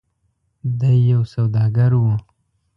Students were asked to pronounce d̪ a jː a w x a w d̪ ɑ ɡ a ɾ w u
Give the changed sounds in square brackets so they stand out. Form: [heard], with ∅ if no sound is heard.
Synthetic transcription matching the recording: d̪ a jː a w [s] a w d̪ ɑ ɡ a ɾ w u